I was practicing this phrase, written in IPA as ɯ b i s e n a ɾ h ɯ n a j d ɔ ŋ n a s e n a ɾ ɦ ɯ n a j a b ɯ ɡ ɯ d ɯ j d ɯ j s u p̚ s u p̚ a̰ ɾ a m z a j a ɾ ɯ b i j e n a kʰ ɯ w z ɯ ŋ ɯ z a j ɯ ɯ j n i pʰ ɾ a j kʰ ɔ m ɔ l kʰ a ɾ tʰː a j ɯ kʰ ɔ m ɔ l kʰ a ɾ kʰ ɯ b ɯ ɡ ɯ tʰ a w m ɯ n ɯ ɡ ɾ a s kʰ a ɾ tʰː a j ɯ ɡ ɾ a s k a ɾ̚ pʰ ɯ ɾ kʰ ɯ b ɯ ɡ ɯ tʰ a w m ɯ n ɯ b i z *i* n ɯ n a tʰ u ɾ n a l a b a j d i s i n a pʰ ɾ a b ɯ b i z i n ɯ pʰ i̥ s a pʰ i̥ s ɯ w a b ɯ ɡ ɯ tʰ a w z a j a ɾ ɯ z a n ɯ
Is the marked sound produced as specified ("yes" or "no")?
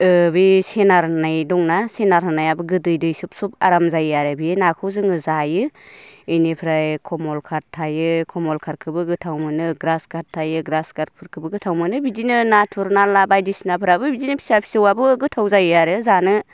yes